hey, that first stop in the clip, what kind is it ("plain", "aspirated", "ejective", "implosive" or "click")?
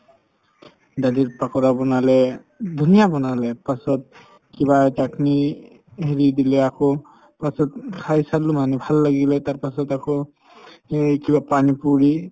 plain